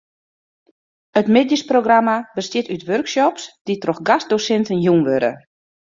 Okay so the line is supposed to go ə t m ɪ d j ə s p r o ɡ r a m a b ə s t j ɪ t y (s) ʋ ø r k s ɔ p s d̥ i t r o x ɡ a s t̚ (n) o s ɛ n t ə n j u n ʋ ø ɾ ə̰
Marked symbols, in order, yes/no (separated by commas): no, no